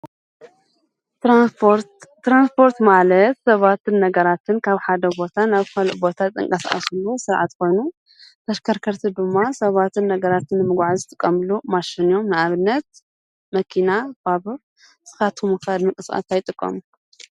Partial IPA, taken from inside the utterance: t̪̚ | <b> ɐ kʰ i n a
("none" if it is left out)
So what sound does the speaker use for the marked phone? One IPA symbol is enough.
m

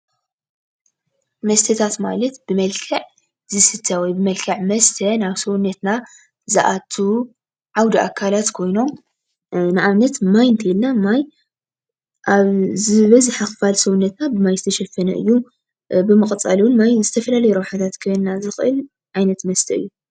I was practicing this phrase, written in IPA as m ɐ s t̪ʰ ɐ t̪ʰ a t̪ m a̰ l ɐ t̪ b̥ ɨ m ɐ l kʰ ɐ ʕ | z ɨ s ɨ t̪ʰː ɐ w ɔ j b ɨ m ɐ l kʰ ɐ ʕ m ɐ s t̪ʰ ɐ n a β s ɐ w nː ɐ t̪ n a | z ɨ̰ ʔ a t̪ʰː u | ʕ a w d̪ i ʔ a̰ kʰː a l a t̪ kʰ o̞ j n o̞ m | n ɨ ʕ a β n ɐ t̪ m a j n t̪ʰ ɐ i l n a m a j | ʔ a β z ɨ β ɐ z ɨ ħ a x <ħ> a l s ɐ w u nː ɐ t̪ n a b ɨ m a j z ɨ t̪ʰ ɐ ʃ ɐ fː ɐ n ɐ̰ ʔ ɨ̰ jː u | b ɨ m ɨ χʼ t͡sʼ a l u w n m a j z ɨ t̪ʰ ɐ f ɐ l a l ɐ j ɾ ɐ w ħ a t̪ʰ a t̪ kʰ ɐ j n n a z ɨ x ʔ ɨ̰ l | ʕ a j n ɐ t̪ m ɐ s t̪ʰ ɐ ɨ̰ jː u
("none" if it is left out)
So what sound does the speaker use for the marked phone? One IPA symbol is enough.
f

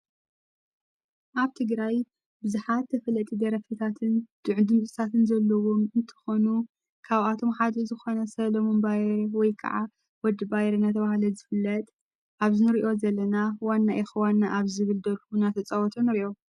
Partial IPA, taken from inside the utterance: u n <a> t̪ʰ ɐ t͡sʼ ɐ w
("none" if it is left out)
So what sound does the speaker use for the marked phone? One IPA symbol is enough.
a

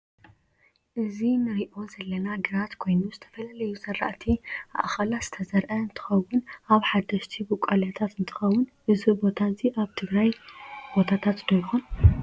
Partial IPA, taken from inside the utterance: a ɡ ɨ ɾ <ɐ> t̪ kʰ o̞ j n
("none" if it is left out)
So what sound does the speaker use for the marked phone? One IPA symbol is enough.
a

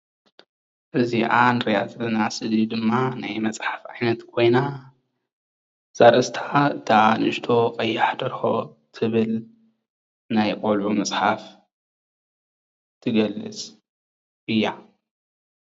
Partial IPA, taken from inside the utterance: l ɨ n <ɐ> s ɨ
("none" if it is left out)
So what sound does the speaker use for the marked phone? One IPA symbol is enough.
a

